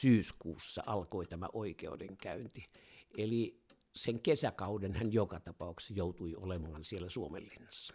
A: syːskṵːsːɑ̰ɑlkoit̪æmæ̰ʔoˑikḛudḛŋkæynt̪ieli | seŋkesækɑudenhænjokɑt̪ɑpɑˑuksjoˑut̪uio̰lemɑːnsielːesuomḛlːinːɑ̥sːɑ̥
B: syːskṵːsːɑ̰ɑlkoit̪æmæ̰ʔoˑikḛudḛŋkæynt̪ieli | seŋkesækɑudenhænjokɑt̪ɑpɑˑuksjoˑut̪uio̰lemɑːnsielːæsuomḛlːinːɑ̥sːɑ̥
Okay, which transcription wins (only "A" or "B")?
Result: B